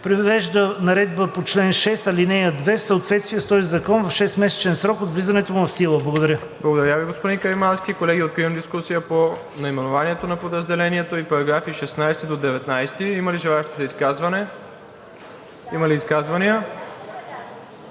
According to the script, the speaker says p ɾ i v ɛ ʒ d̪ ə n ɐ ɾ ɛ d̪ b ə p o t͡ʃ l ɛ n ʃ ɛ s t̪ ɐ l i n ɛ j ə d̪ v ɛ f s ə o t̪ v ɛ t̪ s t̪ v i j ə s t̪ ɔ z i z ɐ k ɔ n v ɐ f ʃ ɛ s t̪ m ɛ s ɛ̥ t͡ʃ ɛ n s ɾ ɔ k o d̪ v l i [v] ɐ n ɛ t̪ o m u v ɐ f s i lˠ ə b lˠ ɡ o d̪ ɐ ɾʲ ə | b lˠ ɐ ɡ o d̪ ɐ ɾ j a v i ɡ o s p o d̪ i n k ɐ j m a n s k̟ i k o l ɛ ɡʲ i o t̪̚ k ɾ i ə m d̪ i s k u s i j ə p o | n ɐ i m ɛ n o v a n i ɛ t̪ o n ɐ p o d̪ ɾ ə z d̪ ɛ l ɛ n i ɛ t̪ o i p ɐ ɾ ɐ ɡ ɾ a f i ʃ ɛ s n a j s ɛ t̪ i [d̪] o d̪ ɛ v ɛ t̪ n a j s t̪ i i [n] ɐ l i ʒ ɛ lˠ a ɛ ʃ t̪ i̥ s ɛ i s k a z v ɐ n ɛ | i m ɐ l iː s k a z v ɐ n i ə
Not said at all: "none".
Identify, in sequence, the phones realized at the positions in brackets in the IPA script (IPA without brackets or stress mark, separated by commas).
z, d̪, m